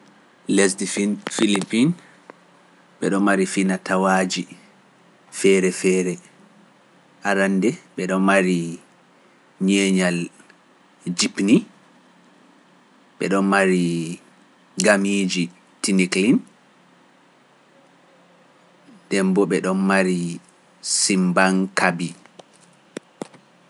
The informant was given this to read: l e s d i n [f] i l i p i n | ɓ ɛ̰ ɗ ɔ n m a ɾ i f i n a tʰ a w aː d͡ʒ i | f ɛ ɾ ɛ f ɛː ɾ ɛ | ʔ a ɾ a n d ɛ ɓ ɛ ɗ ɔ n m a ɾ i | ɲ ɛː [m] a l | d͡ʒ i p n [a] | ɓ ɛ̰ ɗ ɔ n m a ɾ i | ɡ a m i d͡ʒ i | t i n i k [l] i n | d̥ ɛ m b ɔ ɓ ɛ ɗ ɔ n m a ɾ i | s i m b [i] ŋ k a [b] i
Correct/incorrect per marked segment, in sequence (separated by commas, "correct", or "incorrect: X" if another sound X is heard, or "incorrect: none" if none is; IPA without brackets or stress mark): correct, incorrect: ɲ, incorrect: i, correct, incorrect: a, correct